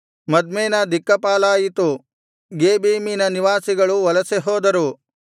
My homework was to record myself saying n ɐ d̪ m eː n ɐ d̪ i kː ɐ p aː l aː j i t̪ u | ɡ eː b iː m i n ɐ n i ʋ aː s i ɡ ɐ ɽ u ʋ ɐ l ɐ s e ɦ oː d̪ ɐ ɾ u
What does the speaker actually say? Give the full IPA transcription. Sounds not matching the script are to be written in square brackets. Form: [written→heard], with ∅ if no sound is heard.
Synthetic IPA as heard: [n→m] ɐ d̪ m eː n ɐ d̪ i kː ɐ p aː l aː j i t̪ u | ɡ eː b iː m i n ɐ n i ʋ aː s i ɡ ɐ [ɽ→ɭ] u ʋ ɐ l ɐ s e ɦ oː d̪ ɐ ɾ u